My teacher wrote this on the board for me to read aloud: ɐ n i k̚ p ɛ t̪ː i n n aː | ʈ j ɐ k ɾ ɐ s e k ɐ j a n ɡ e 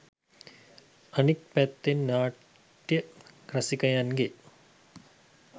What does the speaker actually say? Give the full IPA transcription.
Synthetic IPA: ɐ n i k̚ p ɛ t̪ː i n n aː | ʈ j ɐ k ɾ ɐ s i k ɐ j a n ɡ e